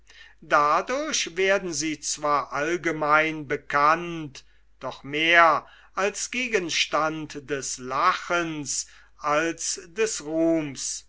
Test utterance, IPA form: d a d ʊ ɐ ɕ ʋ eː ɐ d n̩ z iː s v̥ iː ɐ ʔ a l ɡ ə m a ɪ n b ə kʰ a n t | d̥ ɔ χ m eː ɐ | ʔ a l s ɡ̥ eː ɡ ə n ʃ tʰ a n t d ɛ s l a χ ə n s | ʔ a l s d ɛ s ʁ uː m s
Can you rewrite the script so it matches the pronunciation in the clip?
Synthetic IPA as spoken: d a d ʊ ɐ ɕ v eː ɐ d n̩ z iː t͡s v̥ aː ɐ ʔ a l ɡ ə m a ɪ n b ə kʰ a n t | d̥ ɔ χ m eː ɐ | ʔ a l s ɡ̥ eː ɡ ə n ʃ t a n t d ɛ s l a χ ə n s | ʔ a l s d ɛ s ʁ uː m s